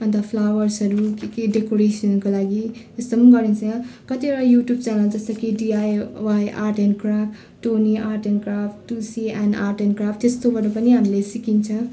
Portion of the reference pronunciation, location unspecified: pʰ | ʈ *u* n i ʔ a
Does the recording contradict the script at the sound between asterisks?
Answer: yes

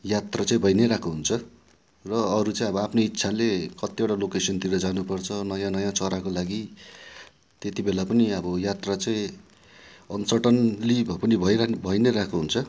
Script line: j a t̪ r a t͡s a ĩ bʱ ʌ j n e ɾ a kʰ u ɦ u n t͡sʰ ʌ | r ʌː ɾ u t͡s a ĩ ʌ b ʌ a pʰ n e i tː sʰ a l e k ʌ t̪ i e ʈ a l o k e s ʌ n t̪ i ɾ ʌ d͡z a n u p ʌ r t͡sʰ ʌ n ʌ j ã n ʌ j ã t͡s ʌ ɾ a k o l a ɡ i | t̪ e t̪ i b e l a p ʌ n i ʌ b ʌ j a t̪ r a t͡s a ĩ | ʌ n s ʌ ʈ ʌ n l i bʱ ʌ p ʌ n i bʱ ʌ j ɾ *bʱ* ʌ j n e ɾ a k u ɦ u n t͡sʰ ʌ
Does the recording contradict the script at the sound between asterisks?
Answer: no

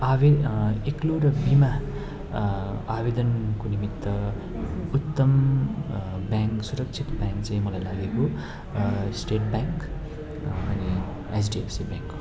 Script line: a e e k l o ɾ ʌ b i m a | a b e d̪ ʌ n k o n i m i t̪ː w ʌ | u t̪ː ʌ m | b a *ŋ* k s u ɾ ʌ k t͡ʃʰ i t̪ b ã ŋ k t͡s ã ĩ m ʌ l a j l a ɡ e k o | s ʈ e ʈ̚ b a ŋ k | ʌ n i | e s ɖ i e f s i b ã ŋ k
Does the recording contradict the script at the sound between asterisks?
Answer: no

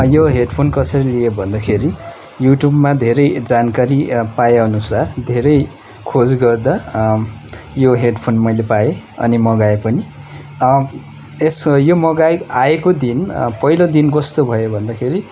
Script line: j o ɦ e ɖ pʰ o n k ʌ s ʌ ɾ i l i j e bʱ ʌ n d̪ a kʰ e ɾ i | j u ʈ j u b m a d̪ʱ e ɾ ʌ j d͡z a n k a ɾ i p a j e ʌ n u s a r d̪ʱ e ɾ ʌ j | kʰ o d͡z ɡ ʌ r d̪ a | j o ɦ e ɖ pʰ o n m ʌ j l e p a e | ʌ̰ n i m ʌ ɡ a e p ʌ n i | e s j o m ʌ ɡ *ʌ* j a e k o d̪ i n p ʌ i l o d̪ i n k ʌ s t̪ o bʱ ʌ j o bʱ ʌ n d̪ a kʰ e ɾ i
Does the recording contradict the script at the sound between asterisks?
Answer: yes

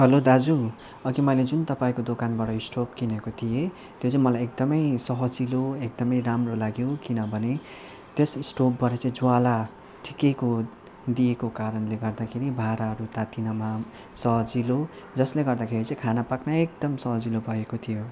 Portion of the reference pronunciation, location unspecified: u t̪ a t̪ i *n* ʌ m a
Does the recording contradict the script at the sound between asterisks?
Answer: no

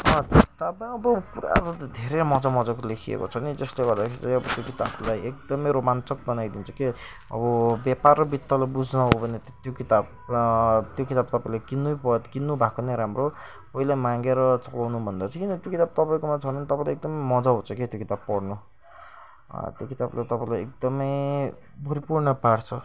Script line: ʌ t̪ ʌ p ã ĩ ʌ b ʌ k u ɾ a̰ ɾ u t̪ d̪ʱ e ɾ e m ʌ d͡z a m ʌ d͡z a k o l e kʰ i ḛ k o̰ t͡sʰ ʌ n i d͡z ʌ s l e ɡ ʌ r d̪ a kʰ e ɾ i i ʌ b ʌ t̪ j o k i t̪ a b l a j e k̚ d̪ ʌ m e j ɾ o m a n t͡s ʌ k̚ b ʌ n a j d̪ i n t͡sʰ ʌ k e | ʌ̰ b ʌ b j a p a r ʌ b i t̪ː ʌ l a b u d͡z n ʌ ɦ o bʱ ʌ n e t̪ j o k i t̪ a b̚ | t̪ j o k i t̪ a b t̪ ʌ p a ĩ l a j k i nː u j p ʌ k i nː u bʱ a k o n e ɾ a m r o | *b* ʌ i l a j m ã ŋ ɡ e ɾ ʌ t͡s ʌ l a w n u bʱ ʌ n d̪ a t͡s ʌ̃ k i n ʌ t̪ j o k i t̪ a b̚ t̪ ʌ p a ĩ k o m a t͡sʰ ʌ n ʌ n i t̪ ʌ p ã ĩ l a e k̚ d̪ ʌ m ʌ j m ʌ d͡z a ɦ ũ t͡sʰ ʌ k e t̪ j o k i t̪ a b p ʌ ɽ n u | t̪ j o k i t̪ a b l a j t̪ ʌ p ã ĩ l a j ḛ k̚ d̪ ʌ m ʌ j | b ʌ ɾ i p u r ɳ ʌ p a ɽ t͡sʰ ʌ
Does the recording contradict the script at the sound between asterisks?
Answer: yes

